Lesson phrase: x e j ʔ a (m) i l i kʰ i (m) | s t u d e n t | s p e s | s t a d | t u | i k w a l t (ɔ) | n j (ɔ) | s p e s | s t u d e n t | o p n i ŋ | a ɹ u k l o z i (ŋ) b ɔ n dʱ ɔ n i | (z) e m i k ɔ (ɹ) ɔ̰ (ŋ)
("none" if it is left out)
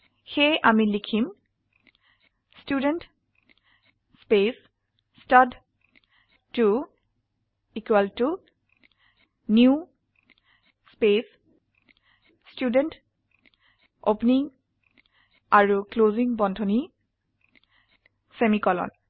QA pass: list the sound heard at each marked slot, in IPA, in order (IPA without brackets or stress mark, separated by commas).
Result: m, m, u, u, ŋ, s, l, n